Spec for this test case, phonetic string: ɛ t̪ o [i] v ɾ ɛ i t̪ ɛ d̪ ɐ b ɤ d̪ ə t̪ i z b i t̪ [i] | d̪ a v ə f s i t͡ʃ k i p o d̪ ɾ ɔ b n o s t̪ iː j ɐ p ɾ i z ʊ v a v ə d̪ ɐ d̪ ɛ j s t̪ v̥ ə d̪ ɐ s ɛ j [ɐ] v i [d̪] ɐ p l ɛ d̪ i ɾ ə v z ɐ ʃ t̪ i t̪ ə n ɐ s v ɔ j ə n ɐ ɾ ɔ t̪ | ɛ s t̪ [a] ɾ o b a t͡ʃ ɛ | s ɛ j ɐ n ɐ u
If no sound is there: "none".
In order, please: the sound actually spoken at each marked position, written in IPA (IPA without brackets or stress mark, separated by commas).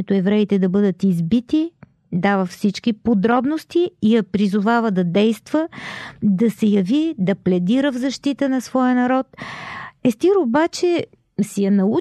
ɛ, i, ɐ, d̪, i